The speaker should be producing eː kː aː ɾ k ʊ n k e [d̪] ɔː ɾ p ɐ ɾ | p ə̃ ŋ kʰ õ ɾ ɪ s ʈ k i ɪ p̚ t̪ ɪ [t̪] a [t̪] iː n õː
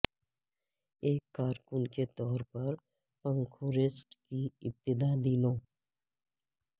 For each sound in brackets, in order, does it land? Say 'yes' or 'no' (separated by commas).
no, no, no